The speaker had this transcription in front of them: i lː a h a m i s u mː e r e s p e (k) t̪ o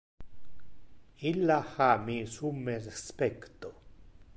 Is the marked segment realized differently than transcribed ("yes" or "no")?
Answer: no